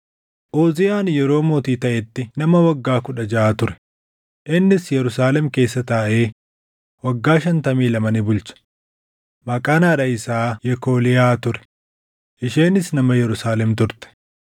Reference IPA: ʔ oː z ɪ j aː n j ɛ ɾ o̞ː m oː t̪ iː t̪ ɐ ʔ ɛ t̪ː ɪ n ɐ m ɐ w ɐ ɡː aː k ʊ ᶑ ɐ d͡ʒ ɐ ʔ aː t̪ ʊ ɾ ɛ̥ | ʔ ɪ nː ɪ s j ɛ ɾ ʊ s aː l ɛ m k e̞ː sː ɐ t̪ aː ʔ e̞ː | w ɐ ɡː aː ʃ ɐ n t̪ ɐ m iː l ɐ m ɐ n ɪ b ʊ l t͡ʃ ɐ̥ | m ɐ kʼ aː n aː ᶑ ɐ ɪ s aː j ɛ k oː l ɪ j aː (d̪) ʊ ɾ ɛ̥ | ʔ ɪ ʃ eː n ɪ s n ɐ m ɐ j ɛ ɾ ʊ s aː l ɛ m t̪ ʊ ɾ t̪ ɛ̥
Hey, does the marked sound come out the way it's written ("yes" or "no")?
no